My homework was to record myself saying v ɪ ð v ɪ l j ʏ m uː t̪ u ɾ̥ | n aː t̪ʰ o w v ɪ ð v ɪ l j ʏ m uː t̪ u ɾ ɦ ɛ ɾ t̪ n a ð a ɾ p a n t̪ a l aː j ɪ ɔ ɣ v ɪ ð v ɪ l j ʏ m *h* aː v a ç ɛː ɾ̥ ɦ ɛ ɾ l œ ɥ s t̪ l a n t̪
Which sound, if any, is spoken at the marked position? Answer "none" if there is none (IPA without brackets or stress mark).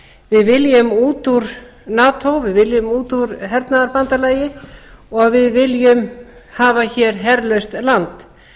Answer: h